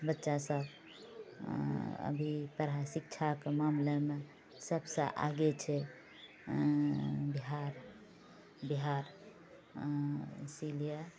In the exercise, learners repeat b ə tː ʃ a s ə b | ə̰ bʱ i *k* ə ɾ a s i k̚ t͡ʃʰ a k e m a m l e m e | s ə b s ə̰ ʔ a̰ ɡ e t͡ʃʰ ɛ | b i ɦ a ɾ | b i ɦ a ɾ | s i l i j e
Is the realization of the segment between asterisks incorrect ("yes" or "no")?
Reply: yes